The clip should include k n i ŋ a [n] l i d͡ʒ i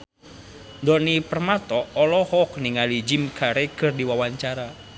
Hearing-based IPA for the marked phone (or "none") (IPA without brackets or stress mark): none